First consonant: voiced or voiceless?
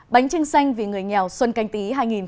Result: voiced